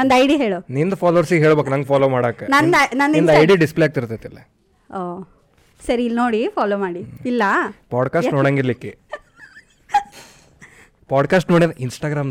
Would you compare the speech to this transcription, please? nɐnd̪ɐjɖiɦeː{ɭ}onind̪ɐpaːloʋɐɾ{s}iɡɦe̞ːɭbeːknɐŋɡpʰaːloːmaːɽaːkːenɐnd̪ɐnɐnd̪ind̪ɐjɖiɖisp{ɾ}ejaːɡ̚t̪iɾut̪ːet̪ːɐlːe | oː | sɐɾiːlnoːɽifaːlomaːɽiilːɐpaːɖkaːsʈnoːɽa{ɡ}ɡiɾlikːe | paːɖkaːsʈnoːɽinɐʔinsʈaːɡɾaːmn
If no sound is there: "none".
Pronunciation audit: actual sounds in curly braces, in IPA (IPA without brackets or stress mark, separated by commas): ɭ, s, l, ŋ